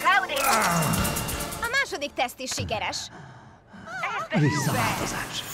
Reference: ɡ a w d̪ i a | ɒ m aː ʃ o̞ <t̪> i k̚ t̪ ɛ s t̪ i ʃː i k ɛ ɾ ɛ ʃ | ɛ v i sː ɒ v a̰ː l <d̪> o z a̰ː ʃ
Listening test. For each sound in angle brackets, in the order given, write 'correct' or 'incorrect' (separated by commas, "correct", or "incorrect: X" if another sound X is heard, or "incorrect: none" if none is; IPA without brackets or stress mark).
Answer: incorrect: d̪, incorrect: t̪